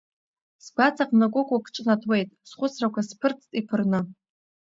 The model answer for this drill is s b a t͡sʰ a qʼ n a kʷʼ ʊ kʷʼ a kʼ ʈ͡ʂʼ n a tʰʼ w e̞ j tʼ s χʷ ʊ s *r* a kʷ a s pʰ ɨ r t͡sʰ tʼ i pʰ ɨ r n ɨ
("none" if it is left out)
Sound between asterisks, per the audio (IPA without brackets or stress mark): r